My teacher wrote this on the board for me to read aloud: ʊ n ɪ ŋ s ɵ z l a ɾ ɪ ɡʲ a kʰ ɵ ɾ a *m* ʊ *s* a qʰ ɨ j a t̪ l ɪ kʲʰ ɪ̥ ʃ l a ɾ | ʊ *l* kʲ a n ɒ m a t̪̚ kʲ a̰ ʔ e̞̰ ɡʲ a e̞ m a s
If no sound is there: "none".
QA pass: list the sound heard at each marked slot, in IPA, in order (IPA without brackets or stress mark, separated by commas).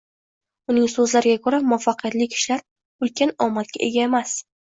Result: m, f, l